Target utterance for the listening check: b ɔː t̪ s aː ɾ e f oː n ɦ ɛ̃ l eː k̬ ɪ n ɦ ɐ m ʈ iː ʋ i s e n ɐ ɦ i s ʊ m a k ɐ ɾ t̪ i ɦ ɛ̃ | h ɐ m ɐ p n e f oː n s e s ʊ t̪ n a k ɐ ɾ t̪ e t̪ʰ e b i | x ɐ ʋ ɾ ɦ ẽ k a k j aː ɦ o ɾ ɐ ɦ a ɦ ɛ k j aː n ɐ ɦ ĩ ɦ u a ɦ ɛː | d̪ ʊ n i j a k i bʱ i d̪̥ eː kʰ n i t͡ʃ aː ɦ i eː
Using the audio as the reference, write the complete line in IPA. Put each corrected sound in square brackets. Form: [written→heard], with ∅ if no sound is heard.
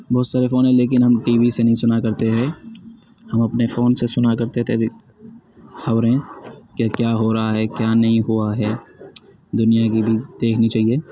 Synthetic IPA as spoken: b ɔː t̪ s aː ɾ e f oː n ɦ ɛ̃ l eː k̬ ɪ n ɦ ɐ m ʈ iː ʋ i s e n ɐ ɦ [i→ĩ] s ʊ [m→n] a k ɐ ɾ t̪ [i→e] ɦ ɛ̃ | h ɐ m ɐ p n e f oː n s e s ʊ [t̪→∅] n a k ɐ ɾ t̪ e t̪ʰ e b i | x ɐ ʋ ɾ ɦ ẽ k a k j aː ɦ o ɾ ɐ ɦ a ɦ ɛ k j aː n ɐ ɦ ĩ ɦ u a ɦ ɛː | d̪ ʊ n i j a k i bʱ i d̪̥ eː kʰ n i t͡ʃ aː ɦ i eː